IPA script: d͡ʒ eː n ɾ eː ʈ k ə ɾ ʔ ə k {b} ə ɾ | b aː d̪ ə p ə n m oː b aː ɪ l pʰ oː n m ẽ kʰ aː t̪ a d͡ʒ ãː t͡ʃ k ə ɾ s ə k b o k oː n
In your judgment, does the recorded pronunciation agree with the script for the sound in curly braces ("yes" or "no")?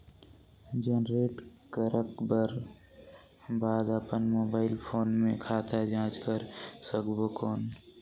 yes